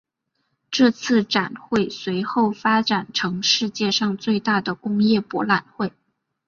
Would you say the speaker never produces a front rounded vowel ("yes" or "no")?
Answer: yes